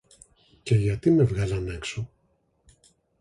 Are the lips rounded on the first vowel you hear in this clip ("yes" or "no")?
no